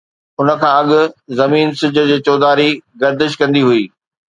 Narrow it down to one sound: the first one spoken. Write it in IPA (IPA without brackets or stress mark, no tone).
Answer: ʊ